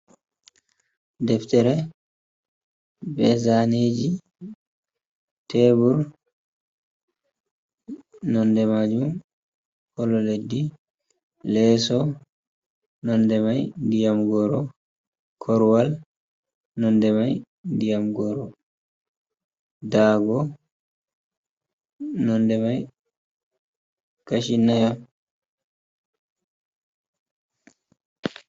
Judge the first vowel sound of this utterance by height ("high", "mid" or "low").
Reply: mid